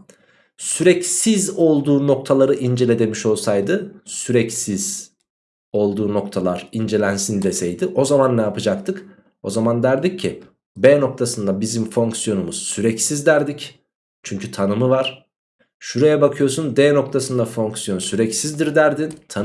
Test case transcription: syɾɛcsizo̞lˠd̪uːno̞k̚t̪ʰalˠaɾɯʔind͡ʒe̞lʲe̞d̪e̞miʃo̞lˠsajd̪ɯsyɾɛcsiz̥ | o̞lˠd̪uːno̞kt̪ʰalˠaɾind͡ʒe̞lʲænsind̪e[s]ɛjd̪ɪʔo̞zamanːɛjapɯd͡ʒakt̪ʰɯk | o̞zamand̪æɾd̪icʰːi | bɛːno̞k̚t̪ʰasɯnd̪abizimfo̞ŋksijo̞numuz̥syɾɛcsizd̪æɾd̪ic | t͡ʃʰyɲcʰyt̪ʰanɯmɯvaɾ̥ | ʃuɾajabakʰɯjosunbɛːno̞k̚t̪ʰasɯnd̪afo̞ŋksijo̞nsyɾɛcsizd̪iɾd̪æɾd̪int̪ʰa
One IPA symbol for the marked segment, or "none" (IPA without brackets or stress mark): s